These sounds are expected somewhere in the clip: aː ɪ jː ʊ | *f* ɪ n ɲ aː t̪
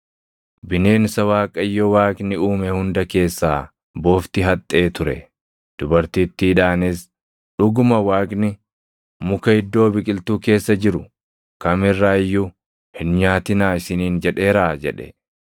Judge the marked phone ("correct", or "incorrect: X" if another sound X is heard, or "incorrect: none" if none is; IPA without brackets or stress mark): incorrect: h